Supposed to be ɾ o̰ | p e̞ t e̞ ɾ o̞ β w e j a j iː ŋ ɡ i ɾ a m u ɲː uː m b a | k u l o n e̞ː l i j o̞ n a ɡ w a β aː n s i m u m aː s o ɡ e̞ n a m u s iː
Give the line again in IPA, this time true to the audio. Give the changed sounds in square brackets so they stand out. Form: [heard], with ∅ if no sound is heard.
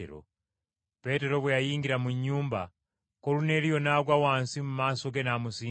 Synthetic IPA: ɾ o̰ | p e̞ t e̞ ɾ o̞ β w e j a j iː ŋ ɡ i ɾ a m u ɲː uː m b a | k [o] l [u] n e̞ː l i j o̞ n a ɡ w a [w] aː n s i m u m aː s o ɡ e̞ n a m u s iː